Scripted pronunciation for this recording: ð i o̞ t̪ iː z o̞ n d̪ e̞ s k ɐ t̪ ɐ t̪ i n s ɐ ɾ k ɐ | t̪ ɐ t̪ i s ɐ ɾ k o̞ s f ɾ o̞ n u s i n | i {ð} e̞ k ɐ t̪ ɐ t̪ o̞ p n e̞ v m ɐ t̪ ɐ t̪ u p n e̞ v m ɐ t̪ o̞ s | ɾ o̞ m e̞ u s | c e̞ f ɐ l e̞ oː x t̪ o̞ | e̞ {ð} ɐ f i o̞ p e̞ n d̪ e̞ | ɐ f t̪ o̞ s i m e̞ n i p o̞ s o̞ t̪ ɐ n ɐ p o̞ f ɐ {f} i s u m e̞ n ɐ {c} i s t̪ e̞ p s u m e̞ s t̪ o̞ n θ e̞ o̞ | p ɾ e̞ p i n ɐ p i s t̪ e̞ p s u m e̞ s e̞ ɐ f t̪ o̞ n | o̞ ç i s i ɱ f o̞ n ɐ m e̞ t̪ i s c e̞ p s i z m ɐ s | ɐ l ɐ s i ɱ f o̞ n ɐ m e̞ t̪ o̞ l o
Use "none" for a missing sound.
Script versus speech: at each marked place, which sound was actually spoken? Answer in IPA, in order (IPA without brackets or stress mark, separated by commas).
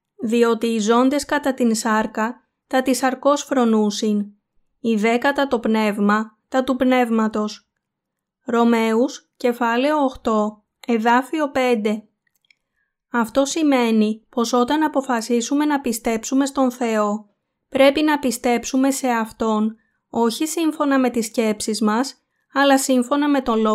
ð, ð, s, p